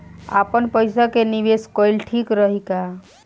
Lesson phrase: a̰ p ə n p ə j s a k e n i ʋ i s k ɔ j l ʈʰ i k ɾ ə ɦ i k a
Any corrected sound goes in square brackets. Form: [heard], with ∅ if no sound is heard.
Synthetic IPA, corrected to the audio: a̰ p ə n p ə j s a k e n i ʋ [e] s k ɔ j l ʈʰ i k ɾ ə ɦ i k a